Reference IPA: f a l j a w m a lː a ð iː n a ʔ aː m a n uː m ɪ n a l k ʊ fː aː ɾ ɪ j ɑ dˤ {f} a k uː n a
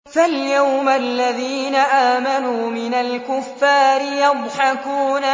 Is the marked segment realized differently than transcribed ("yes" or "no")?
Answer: yes